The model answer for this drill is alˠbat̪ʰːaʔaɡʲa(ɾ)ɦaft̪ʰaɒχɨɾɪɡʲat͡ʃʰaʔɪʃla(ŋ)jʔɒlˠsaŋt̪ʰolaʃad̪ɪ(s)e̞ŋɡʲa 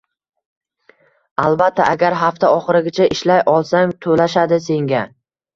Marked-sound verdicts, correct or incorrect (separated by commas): correct, incorrect, correct